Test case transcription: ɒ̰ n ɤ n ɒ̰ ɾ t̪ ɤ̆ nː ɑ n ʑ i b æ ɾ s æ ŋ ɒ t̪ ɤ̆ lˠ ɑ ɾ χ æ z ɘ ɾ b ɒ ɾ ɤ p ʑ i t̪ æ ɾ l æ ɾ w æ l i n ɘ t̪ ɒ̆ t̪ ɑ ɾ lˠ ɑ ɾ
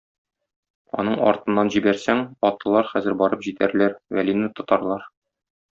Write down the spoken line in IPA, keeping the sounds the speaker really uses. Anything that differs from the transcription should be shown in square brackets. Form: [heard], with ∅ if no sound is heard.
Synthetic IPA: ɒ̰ n ɤ [ɴ] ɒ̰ ɾ t̪ ɤ̆ nː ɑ n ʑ i b æ ɾ s æ ŋ ɒ t̪ ɤ̆ lˠ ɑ ɾ χ æ z ɘ ɾ b ɒ ɾ ɤ p ʑ i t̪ æ ɾ l æ ɾ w æ l i n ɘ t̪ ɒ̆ t̪ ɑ ɾ lˠ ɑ ɾ